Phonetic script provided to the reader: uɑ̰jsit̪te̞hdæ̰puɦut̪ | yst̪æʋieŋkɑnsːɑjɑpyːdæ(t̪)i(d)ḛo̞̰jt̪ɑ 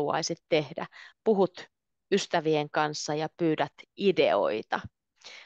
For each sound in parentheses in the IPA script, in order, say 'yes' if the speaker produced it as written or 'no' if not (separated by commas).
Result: yes, yes